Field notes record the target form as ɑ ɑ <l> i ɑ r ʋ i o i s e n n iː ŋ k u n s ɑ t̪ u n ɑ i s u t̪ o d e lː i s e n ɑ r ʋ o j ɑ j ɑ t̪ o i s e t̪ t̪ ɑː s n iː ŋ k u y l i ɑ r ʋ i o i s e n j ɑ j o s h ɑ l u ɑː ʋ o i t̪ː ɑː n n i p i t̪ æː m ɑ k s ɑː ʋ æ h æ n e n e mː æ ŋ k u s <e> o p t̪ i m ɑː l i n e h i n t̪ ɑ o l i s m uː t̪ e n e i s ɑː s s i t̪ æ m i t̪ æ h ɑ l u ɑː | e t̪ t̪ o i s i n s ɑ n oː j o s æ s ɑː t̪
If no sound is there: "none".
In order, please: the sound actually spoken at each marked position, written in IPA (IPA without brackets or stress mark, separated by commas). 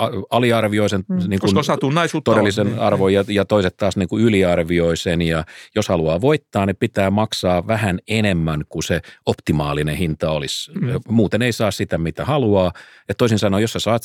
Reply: l, e